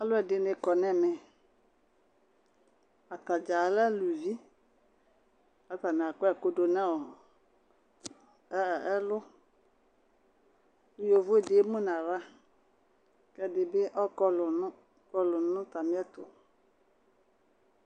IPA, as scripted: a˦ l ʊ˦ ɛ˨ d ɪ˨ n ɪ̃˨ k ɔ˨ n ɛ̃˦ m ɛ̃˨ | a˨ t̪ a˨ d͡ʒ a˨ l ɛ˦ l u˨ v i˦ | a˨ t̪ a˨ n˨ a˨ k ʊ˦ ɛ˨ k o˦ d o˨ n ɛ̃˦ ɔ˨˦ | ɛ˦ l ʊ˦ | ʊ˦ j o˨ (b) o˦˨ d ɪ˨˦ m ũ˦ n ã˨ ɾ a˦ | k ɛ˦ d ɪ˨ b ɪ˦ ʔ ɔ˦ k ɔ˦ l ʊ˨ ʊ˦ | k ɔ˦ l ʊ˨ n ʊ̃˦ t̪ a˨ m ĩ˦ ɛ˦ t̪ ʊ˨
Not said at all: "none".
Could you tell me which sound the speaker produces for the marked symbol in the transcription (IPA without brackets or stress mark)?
v